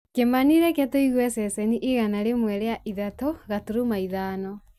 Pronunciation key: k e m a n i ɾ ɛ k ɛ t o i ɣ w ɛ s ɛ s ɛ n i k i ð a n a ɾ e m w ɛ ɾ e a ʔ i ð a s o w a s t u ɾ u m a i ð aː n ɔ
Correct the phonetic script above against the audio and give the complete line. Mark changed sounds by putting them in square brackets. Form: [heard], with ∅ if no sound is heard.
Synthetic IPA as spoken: k e m a n i ɾ ɛ k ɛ t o i ɣ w ɛ s ɛ s ɛ n i [ʔ] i [ɣ] a n a ɾ e m w ɛ ɾ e a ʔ i ð a [t] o [ɣ] a [∅] t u ɾ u m a i ð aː n ɔ